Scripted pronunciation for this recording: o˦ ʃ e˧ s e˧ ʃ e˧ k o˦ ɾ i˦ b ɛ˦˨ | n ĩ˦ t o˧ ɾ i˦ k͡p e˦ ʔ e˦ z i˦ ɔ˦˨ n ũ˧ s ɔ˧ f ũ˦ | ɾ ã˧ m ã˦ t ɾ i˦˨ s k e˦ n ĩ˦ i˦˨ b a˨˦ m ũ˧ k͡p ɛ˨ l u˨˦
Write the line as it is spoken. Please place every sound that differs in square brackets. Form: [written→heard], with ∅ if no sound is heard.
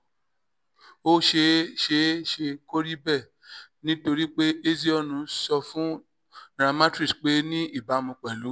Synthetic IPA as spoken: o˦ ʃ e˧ [s→ʃ] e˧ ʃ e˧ k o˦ ɾ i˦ b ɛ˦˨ | n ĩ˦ t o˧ ɾ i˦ k͡p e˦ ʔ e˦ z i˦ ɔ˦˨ n ũ˧ s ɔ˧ f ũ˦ | ɾ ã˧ m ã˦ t ɾ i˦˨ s [k→k͡p] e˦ n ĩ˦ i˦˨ b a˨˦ m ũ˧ k͡p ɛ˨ l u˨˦

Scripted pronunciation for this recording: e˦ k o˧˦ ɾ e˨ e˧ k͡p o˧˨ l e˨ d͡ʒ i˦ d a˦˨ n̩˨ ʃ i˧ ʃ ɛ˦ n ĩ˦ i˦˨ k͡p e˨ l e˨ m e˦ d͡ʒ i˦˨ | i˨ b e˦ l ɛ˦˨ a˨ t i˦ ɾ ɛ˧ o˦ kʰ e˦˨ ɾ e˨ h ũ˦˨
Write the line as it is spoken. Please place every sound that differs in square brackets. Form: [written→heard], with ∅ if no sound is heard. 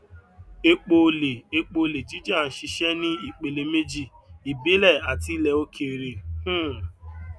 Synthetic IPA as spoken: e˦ [k→k͡p] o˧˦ [ɾ→l] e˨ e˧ k͡p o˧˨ l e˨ d͡ʒ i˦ [d→d͡ʒ] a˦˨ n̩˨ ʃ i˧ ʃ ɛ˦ n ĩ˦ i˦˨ k͡p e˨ l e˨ m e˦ d͡ʒ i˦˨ | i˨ b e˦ l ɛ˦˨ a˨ t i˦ [ɾ→l] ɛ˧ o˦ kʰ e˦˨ ɾ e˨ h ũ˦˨

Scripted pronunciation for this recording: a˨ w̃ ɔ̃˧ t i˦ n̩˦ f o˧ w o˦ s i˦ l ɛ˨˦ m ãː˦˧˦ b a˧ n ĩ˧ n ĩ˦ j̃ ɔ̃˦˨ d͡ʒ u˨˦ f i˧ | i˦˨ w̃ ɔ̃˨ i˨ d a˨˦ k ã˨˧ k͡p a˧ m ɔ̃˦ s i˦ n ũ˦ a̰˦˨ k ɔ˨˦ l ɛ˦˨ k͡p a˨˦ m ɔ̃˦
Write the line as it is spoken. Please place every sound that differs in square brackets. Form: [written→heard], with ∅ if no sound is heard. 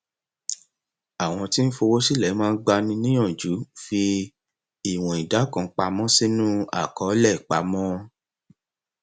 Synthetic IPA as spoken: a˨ w̃ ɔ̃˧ t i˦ n̩˦ f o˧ w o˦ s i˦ l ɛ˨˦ m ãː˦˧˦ [b→ɡ͡b] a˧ n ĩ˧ n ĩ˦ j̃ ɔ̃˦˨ d͡ʒ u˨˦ f i˧ | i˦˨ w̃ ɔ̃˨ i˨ d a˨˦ k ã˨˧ k͡p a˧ m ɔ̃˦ s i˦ n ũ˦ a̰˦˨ k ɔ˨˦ l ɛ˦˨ k͡p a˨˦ m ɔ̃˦

